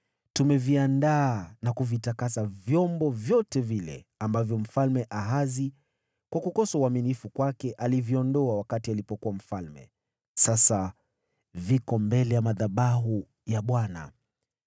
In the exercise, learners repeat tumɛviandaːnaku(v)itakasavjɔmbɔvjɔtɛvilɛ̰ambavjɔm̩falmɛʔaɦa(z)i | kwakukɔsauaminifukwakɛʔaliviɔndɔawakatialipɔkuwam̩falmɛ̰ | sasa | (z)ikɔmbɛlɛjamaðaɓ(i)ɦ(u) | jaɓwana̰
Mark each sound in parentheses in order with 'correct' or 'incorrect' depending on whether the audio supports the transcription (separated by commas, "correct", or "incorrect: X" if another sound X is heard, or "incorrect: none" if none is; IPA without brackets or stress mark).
correct, correct, incorrect: v, incorrect: a, correct